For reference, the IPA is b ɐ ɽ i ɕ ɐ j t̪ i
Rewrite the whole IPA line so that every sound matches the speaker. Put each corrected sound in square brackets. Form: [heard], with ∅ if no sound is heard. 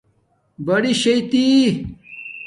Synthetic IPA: b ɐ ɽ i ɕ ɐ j t̪ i